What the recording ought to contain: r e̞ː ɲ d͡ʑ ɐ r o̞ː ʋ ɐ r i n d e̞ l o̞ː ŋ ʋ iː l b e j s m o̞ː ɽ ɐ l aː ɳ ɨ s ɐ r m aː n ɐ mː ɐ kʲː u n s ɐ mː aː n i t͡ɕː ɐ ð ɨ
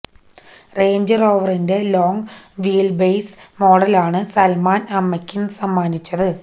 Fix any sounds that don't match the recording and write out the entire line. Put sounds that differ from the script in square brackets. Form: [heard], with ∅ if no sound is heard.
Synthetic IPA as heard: r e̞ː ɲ d͡ʑ ɐ r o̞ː ʋ ɐ r i n d e̞ l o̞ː ŋ ʋ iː l b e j s m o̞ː ɽ ɐ l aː ɳ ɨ s ɐ [l] m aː n ɐ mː ɐ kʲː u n s ɐ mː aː n i t͡ɕː ɐ ð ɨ